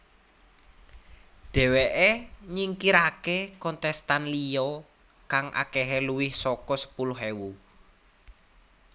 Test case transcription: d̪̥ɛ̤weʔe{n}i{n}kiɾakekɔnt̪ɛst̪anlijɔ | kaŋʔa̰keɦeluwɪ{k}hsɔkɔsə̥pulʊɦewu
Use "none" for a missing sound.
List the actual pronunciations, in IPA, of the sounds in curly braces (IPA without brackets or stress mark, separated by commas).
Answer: ɲ, ŋ, none